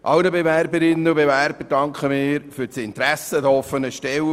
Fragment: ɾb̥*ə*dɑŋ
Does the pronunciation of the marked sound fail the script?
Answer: no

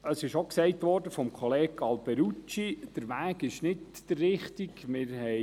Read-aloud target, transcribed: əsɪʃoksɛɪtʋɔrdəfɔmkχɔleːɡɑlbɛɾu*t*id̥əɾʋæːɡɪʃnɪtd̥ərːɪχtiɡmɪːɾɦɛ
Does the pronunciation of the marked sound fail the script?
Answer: yes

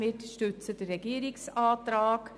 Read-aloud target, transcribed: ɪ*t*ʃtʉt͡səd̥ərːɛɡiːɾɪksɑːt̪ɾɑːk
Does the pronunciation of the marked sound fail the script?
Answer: no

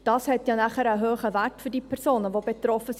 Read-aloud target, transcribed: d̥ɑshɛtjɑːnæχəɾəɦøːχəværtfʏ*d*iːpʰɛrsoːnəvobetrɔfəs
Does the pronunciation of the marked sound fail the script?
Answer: no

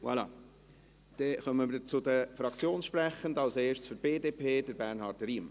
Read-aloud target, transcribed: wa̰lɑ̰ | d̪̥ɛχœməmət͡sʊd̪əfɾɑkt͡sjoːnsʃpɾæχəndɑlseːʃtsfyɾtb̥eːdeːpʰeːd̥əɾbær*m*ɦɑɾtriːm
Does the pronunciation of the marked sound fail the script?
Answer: yes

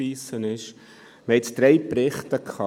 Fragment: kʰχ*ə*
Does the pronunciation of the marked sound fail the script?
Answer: yes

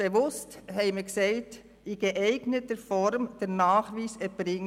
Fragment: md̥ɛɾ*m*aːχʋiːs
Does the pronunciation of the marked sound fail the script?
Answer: yes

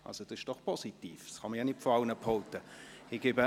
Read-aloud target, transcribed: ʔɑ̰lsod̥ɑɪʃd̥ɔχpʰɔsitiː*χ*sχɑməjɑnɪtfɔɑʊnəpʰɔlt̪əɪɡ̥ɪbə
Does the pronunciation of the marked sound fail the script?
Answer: yes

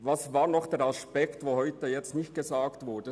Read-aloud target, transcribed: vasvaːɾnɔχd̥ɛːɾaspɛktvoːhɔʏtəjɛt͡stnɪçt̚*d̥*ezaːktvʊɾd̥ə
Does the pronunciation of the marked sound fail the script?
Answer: yes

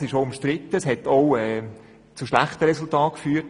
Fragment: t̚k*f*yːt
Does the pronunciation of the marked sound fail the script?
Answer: no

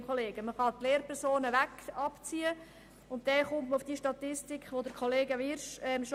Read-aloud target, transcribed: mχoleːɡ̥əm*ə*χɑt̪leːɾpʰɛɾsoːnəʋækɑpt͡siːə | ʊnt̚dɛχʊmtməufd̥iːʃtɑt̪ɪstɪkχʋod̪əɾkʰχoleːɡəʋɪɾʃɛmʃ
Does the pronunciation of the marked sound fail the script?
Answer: no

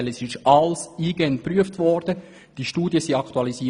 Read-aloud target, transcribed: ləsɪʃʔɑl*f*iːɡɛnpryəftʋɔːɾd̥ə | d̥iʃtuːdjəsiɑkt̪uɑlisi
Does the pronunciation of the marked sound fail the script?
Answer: yes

